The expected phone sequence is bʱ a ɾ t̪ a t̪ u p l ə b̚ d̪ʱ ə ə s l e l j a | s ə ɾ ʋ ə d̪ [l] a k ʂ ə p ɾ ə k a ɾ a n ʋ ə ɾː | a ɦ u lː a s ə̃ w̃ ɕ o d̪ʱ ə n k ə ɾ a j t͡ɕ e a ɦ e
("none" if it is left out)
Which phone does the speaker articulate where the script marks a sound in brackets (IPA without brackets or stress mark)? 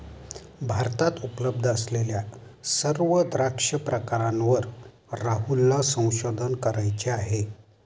ɾ